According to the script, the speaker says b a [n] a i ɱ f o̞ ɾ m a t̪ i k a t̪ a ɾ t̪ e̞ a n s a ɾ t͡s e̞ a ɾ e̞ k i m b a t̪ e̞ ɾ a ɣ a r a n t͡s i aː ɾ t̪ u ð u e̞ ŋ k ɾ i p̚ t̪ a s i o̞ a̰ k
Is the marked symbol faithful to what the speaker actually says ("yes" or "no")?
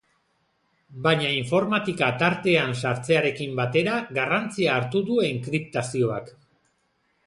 no